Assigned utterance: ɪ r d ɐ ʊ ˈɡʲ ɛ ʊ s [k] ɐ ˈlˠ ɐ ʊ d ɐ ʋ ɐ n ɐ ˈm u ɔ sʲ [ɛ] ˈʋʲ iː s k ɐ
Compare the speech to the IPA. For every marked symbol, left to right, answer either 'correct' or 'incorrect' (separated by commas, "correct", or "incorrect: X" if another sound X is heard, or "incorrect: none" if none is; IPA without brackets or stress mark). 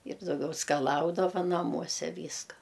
correct, correct